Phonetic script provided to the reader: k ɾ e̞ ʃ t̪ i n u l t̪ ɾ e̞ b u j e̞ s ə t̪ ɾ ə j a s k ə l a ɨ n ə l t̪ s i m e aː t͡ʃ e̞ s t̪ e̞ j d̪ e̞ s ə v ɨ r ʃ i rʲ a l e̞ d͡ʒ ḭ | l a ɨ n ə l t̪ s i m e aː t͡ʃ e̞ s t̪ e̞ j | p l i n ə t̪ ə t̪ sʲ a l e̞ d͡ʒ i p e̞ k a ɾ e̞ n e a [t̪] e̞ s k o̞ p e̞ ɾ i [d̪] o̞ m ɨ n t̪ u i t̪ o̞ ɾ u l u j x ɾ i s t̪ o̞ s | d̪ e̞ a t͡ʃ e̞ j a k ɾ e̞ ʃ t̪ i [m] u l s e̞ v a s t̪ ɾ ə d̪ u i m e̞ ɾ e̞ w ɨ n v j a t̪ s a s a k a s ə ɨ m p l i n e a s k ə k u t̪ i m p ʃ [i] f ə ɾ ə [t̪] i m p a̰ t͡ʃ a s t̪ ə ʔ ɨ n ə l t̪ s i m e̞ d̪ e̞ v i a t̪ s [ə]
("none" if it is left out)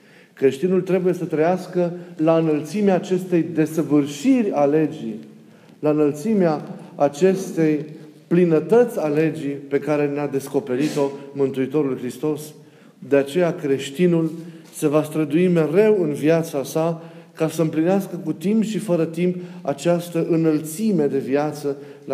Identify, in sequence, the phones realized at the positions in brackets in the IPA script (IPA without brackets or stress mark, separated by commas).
d̪, t̪, n, i, t̪, ə